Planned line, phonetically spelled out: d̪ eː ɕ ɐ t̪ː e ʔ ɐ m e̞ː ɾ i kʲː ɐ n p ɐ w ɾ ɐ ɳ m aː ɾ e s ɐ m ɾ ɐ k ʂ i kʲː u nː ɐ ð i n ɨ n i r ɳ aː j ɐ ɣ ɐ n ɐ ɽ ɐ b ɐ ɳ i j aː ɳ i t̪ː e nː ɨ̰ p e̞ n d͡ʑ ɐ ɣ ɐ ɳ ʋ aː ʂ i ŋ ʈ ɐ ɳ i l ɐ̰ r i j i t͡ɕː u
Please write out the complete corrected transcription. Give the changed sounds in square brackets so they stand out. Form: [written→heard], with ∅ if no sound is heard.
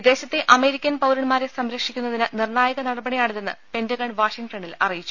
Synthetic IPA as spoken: d̪ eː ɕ ɐ t̪ː e ʔ ɐ m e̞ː ɾ i kʲː ɐ n p ɐ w ɾ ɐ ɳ m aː ɾ e s ɐ m ɾ ɐ k ʂ i kʲː u nː ɐ ð i n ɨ n i r ɳ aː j ɐ ɣ ɐ n ɐ ɽ ɐ b ɐ ɳ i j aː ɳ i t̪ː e nː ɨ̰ p e̞ n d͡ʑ ɐ ɣ ɐ ɳ ʋ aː ʂ i ŋ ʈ ɐ ɳ i l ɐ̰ r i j i t͡ɕː u